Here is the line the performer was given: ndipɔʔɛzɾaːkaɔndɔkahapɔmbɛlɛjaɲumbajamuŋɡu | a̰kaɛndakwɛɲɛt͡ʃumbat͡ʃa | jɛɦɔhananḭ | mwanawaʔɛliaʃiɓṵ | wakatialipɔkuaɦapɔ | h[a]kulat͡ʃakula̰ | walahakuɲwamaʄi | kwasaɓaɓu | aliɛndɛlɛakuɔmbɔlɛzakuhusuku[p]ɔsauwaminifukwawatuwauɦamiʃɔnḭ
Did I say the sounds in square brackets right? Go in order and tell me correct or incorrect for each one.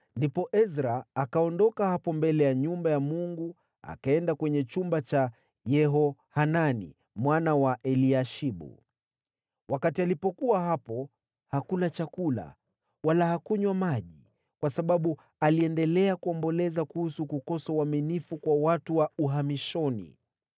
correct, incorrect: k

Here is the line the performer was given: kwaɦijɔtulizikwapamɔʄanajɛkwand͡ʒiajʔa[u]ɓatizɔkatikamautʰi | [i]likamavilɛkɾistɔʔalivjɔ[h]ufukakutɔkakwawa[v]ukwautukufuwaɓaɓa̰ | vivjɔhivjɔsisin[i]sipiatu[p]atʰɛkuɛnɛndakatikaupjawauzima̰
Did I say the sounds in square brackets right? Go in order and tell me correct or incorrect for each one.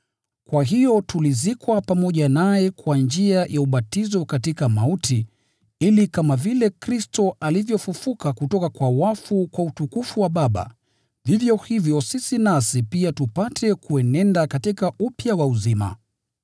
correct, correct, incorrect: f, incorrect: f, incorrect: a, correct

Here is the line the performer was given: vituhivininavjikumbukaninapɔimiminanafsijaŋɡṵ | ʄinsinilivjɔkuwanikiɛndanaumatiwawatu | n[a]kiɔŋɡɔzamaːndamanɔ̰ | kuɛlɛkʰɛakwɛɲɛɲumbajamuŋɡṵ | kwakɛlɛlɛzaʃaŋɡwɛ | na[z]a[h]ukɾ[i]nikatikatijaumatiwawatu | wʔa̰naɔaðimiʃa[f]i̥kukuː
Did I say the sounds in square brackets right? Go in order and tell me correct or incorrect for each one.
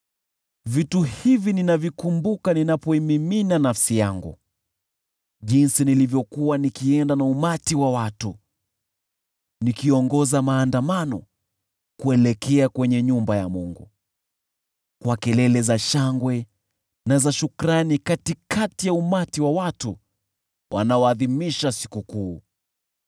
incorrect: i, correct, incorrect: ʃ, incorrect: a, incorrect: s

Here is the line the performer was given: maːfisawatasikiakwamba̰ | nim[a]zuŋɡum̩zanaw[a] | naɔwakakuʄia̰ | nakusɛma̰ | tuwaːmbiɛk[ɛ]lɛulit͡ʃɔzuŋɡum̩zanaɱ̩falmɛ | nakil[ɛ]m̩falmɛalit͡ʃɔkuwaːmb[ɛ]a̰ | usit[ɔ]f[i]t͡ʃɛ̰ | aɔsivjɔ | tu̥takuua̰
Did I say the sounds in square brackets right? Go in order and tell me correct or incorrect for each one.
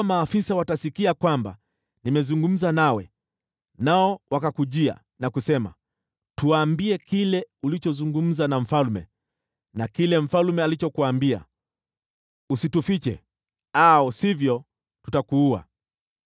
incorrect: ɛ, incorrect: ɛ, incorrect: i, correct, incorrect: i, incorrect: u, correct

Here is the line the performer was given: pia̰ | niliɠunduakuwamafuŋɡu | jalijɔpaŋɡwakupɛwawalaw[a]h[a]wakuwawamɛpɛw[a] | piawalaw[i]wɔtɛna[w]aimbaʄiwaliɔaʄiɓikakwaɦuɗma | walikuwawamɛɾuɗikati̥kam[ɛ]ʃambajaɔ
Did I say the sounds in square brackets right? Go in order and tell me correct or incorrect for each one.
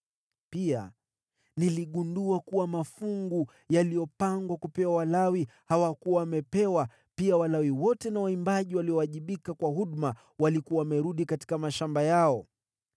incorrect: i, correct, correct, correct, correct, incorrect: a

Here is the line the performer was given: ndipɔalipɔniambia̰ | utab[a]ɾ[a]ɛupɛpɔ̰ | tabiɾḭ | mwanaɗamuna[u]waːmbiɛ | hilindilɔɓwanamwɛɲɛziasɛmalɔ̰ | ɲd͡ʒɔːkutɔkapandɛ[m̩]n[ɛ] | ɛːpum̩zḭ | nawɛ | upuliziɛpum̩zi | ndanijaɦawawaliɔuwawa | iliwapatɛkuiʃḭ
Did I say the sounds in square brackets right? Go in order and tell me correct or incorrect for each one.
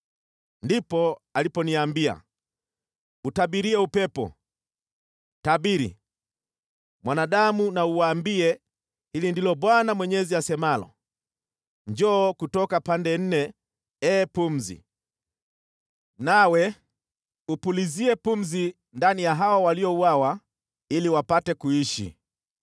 incorrect: i, incorrect: i, correct, incorrect: n̩, correct

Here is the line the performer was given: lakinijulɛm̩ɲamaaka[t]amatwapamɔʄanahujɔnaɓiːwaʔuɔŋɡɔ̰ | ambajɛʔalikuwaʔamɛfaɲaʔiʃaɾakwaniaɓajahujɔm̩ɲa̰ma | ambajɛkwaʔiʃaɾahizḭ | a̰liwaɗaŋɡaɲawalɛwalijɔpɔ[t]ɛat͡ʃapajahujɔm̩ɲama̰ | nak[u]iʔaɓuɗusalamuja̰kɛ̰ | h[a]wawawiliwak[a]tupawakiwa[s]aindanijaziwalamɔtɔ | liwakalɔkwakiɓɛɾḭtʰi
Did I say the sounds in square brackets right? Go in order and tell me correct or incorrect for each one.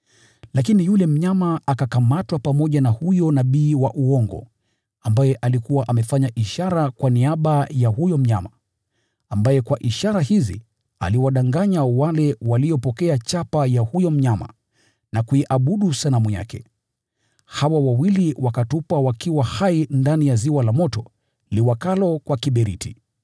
incorrect: k, incorrect: k, correct, correct, correct, incorrect: h

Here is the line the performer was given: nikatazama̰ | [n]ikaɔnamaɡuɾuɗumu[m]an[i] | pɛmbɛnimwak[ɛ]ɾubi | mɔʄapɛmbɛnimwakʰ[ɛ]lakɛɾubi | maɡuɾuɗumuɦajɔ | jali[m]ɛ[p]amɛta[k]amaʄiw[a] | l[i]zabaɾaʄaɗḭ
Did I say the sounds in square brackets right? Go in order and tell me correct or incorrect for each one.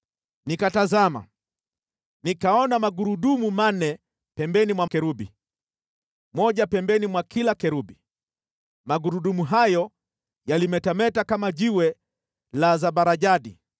correct, correct, incorrect: ɛ, correct, incorrect: i, correct, incorrect: t, correct, incorrect: ɛ, incorrect: a

